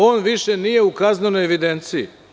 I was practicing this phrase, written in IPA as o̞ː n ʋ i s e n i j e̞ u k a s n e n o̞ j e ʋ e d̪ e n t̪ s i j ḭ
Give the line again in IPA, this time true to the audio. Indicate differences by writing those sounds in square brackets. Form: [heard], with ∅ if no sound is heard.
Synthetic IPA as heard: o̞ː n ʋ i [ʃ] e n i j e̞ u k a [z] n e n o̞ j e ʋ [i] d̪ e n t̪ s i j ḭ